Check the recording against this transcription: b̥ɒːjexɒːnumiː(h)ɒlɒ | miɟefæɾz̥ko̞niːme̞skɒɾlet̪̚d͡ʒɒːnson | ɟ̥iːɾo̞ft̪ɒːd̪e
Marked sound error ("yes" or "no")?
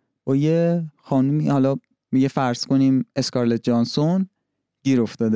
no